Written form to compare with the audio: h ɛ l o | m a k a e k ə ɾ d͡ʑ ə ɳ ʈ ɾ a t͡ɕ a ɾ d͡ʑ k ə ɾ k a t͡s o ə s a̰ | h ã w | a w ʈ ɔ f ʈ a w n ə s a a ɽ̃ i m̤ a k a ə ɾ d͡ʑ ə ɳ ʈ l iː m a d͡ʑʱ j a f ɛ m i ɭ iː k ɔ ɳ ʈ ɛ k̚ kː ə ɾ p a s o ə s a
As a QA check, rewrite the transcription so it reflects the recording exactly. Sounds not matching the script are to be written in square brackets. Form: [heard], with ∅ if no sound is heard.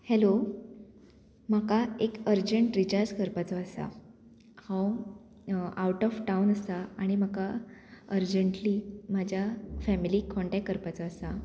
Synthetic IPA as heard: h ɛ l o | m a k a e k ə ɾ d͡ʑ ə ɳ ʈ ɾ [i] t͡ɕ a ɾ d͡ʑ k ə ɾ [p] a t͡s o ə s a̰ | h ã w | a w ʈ ɔ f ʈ a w n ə s a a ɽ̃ i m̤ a k a ə ɾ d͡ʑ ə ɳ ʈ l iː m a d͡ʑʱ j a f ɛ m i [l] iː k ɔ ɳ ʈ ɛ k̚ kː ə ɾ p a [t͡s] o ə s a